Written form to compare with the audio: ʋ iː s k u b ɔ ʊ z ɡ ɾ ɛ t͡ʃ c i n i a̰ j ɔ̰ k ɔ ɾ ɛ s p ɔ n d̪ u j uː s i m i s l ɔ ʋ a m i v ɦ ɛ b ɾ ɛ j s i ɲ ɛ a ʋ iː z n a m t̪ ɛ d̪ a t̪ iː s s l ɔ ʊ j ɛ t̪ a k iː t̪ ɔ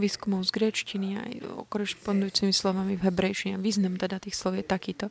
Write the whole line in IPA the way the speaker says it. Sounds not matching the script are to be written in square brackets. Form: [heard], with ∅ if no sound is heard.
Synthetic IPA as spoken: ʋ iː s k u [m] ɔ ʊ z ɡ ɾ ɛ t͡ʃ c i n i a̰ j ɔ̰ k ɔ ɾ ɛ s p ɔ n d̪ u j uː [t͡s] i m i s l ɔ ʋ a m i v ɦ ɛ b ɾ ɛ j [ʃ] i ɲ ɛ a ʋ iː z n a m t̪ ɛ d̪ a t̪ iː [x] s l ɔ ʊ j ɛ t̪ a k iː t̪ ɔ